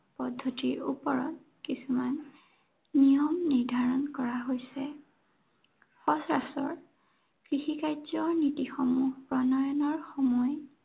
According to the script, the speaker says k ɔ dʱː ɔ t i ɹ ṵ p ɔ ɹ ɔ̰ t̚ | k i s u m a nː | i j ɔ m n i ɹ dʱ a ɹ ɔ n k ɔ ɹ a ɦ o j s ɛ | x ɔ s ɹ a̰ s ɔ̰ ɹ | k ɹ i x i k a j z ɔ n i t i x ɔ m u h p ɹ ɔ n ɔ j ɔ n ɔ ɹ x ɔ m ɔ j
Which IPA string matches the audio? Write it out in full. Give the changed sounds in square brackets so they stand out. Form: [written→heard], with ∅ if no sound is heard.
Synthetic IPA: [k→p] ɔ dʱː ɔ t i ɹ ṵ p ɔ ɹ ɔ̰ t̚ | k i s u m a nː | i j ɔ m n i ɹ dʱ a ɹ ɔ n k ɔ ɹ a ɦ o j s ɛ | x ɔ s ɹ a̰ s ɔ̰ ɹ | k ɹ i x i k a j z ɔ n i t i x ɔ m u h p ɹ ɔ n ɔ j ɔ n ɔ ɹ x ɔ m ɔ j